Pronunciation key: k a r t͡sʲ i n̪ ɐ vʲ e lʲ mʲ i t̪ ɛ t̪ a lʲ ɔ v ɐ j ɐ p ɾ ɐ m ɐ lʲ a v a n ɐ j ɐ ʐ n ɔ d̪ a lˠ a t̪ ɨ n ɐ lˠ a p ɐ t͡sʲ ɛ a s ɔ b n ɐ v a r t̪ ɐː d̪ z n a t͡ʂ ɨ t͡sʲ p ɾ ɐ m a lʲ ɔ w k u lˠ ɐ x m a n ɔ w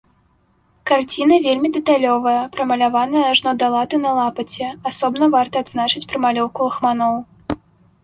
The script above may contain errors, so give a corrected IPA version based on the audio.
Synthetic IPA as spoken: k a r t͡sʲ i n̪ ɐ vʲ e lʲ mʲ i d̪ ɛ t̪ a lʲ ɔ v ɐ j ɐ p ɾ ɐ m ɐ lʲ a v a n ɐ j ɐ ʐ n ɔ d̪ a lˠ a t̪ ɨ n ɐ lˠ a p ɐ t͡sʲ ɛ a s ɔ b n ɐ v a r t̪ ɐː d̪ z n a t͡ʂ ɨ t͡sʲ p ɾ ɐ m a lʲ ɔ w k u lˠ ɐ x m a n ɔ w